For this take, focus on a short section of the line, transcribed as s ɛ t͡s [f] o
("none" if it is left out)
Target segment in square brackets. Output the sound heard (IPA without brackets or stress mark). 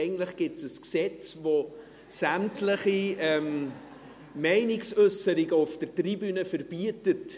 v